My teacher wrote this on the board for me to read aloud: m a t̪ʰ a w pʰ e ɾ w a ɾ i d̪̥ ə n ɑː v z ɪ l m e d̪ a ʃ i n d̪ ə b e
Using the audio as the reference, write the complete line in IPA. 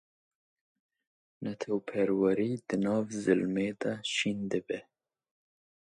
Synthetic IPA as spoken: n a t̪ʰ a w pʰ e ɾ w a ɾ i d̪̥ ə n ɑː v z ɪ l m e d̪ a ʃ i n d̪ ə b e